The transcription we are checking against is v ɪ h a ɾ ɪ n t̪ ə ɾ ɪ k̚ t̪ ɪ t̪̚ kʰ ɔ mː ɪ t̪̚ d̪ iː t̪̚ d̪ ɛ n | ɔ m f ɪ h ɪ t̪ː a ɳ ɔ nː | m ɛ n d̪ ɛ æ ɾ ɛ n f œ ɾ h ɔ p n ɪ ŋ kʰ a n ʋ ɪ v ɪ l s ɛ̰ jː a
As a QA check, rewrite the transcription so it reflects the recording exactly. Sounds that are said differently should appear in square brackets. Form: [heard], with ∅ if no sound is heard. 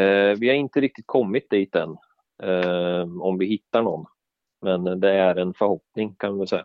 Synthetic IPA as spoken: v ɪ h a ɾ ɪ n t̪ ə ɾ ɪ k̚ t̪ ɪ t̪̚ kʰ ɔ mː ɪ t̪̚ d̪ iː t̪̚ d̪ ɛ n | ɔ m [v] ɪ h ɪ t̪ː a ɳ ɔ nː | m ɛ n d̪ ɛ æ ɾ ɛ n f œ ɾ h ɔ p n ɪ ŋ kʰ a n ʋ ɪ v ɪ l s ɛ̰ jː a